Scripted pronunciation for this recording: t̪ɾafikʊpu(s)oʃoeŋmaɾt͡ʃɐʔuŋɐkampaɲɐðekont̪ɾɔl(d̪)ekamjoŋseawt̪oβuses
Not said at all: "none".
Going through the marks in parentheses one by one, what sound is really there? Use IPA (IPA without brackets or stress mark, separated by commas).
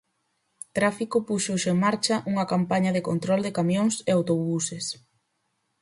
ʃ, d̪